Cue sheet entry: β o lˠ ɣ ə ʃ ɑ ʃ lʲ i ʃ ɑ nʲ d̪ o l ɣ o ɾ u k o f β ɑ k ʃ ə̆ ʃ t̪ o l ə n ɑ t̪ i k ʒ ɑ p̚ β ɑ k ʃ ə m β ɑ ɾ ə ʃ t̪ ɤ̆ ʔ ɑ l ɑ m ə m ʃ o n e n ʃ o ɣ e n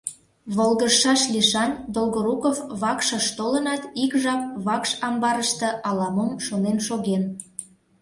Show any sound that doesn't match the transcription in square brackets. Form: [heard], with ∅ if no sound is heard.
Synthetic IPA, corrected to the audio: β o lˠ ɣ ə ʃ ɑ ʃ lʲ i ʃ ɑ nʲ d̪ o l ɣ o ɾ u k o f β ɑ k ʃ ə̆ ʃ t̪ o l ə n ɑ t̪ i k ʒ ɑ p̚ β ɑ k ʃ [ɑ] m [b] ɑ ɾ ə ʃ t̪ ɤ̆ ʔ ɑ l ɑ m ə m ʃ o n e n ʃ o ɣ e n